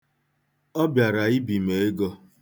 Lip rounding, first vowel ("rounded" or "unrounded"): rounded